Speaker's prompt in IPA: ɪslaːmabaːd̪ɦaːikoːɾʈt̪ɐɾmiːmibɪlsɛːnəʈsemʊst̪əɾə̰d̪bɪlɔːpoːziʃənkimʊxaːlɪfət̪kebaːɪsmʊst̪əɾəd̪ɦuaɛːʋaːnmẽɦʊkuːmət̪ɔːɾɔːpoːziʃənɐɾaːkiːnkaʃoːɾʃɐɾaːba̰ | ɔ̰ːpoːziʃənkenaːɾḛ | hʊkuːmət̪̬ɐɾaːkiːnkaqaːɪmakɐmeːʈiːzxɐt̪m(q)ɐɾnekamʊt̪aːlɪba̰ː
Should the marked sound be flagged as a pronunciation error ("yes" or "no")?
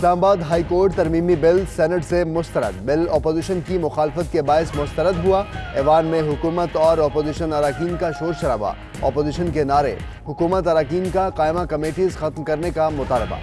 yes